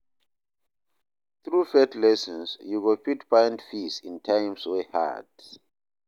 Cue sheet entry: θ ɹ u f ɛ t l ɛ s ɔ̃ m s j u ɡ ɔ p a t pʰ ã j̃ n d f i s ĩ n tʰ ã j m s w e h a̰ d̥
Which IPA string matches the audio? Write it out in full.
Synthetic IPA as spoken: θ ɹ u f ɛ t l ɛ s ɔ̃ n s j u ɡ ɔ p i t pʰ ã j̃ n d f i s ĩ n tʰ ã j m s w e h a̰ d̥